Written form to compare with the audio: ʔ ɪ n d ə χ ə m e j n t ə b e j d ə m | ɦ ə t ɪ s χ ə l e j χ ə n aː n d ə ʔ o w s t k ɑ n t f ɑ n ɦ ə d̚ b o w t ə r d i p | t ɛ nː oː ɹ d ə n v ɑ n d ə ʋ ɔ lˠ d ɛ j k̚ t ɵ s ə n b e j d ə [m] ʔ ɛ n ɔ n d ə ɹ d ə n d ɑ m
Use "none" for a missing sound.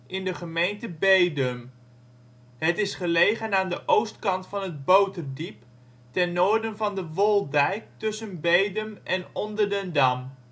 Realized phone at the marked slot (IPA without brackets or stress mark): m